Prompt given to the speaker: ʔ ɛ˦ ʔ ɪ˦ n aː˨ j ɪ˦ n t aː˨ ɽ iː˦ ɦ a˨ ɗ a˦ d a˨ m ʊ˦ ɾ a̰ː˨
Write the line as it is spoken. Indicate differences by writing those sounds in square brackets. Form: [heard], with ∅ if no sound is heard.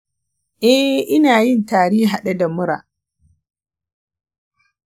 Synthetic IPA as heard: ʔ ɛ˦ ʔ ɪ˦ n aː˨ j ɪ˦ n t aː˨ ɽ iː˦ ɦ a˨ ɗ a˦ d a˨ m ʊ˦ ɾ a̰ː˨